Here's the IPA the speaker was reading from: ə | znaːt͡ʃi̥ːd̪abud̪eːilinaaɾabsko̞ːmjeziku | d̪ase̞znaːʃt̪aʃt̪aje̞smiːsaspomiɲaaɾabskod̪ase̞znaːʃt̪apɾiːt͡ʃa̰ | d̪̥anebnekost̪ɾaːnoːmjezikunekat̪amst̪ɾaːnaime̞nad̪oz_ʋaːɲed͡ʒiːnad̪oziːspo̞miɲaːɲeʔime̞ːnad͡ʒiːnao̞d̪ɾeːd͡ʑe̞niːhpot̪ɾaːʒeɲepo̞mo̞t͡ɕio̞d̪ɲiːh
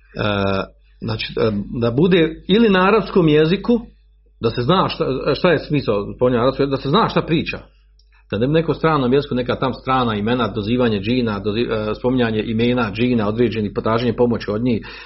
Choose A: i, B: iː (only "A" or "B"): B